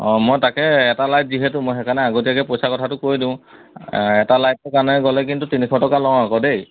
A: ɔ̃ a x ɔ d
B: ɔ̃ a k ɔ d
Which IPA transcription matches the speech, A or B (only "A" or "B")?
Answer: B